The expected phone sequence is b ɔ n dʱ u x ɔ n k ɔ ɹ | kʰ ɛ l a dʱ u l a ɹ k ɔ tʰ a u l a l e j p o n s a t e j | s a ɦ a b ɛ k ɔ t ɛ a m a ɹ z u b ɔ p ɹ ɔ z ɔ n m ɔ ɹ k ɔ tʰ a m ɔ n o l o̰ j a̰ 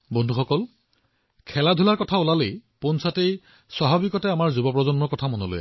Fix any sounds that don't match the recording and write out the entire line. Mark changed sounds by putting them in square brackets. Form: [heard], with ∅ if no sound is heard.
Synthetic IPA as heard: b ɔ n dʱ u x ɔ [∅] k ɔ [l] | kʰ ɛ l a dʱ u l a ɹ k ɔ tʰ a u l a l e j p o n s a t e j | s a ɦ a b [i] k ɔ t ɛ a m a ɹ z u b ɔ p ɹ ɔ z ɔ n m ɔ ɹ k ɔ tʰ a m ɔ n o l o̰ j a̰